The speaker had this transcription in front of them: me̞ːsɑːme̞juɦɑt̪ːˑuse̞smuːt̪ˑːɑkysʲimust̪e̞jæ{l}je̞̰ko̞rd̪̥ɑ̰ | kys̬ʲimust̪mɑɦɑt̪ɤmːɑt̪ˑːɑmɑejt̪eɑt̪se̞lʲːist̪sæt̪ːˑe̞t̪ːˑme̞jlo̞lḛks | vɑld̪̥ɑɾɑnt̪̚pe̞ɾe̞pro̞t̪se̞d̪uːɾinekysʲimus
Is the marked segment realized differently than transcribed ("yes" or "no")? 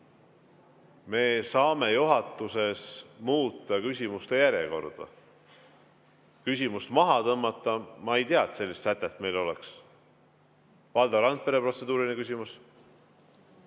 yes